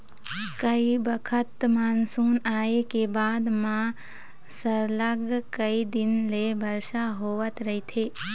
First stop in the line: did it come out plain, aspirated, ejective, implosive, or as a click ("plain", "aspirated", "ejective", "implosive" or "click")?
plain